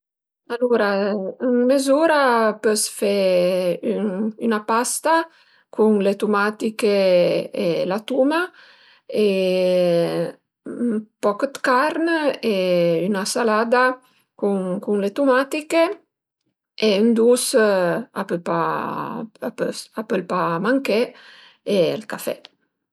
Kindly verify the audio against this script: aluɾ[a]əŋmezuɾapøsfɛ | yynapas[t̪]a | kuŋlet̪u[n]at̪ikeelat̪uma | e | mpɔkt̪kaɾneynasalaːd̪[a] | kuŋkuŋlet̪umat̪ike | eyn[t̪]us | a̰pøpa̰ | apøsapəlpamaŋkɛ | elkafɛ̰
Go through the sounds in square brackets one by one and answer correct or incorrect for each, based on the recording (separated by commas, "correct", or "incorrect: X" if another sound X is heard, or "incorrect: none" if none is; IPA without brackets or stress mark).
correct, correct, incorrect: m, correct, incorrect: d̪